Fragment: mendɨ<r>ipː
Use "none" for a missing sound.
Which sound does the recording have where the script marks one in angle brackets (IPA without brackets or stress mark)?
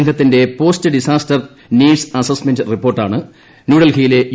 r